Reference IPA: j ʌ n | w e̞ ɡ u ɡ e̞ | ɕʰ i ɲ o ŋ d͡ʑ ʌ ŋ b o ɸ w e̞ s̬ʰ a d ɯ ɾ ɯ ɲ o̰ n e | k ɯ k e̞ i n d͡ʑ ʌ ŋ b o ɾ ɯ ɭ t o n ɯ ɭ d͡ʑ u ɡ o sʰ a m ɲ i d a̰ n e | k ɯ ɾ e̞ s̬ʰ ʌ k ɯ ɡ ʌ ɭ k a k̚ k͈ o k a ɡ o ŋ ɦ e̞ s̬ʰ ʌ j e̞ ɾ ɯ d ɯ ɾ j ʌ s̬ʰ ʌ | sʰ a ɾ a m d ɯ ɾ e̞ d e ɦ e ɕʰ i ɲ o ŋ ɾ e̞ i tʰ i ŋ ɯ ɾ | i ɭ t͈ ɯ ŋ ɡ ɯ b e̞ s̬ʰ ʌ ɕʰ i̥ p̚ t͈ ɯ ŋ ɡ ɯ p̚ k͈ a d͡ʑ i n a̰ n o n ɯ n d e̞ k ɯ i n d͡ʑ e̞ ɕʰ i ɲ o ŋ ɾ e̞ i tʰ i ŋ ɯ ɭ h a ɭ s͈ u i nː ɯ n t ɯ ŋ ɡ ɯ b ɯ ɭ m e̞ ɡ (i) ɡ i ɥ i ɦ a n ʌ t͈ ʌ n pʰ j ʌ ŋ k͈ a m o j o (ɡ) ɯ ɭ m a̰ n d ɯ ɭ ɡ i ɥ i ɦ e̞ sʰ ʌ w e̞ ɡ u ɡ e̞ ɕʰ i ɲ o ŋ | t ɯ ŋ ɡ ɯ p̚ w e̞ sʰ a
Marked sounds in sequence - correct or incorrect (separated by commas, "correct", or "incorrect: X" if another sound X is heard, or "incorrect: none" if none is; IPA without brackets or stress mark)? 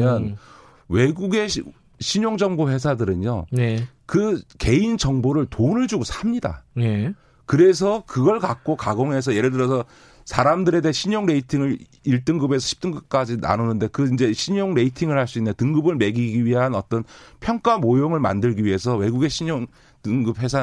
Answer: correct, incorrect: ŋ